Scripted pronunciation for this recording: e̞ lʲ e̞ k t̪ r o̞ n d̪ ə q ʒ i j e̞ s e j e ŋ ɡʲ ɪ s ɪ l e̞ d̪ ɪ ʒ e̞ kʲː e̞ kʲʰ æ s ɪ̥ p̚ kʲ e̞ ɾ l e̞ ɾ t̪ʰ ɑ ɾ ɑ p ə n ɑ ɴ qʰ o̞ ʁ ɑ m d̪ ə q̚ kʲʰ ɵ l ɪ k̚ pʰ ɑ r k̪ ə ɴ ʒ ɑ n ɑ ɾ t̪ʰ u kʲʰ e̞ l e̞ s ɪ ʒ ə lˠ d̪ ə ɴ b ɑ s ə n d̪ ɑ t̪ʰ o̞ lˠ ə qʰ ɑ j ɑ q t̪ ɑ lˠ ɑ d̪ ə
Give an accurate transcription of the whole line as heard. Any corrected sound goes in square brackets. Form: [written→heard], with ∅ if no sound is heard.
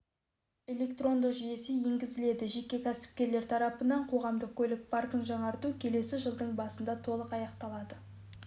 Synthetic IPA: e̞ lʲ e̞ k t̪ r o̞ n d̪ ə q ʒ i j e̞ s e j e ŋ ɡʲ ɪ [s→z] ɪ l e̞ d̪ ɪ ʒ e̞ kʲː e̞ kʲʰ æ s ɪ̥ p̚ kʲ e̞ ɾ l e̞ ɾ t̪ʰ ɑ ɾ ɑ p ə n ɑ ɴ qʰ o̞ ʁ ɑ m d̪ ə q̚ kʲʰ ɵ l ɪ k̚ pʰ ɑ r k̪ ə ɴ ʒ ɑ [n→ɴ] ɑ ɾ [t̪ʰ→t̪] u kʲʰ e̞ l e̞ s ɪ ʒ ə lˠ d̪ ə ɴ b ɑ s ə n d̪ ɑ t̪ʰ o̞ lˠ ə [qʰ→q] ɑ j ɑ q t̪ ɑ lˠ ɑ d̪ ə